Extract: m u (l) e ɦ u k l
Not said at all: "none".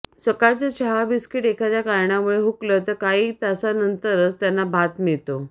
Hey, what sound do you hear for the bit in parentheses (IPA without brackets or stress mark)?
ɭ